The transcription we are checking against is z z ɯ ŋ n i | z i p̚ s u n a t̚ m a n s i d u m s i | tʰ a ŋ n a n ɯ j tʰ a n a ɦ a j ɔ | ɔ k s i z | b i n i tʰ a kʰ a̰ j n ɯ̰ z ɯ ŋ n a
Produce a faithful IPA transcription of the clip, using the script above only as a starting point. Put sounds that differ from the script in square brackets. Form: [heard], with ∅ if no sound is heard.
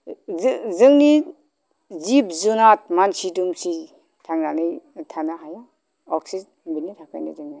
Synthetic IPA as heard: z z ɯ ŋ n i | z i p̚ [z] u n a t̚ m a n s i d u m s i | tʰ a ŋ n a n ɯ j tʰ a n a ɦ a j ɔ | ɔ k s i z | b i n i tʰ a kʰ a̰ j n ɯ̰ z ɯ ŋ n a

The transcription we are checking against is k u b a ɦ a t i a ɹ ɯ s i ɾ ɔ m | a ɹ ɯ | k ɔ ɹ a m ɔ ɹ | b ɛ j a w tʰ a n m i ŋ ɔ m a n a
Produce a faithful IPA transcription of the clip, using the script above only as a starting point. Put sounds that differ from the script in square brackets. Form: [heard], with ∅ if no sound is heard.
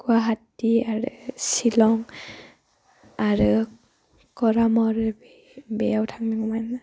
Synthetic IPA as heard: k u [∅] a ɦ a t i a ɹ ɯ s i [l] ɔ [ŋ] | a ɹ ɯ | k ɔ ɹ a m ɔ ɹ | b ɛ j a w tʰ a [ŋ] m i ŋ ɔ m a n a

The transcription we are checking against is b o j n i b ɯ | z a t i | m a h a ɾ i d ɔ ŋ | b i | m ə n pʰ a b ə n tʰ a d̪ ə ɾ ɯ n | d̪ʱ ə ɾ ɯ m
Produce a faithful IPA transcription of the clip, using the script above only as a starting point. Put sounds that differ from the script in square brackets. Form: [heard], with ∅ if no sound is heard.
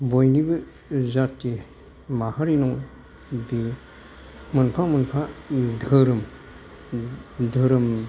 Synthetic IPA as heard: b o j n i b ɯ | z a t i | m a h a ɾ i [n] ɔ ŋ | b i | m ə n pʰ a [m] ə n [pʰ] a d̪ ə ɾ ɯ [m] | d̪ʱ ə ɾ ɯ m

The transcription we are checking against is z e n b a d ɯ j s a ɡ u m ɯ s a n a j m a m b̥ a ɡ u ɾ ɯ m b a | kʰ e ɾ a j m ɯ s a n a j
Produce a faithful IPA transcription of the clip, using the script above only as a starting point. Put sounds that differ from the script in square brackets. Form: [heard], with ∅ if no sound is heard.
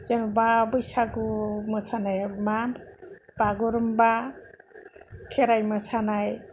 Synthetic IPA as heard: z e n b a [b] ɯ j s a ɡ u m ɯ s a n a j m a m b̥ a ɡ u ɾ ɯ m b a | kʰ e ɾ a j m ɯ s a n a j

